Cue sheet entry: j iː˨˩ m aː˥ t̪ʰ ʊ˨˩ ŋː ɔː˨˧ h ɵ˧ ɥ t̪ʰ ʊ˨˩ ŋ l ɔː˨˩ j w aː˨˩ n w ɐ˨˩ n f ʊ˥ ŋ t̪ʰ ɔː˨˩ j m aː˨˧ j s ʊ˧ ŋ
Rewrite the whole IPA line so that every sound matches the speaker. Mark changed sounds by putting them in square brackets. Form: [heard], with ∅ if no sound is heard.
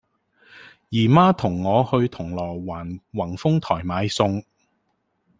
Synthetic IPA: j iː˨˩ m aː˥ t̪ʰ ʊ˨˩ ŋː ɔː˨˧ h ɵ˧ ɥ t̪ʰ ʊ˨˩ ŋ l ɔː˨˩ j w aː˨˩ n w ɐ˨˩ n f ʊ˥ ŋ t̪ʰ ɔː˨˩ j m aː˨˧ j s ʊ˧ ŋ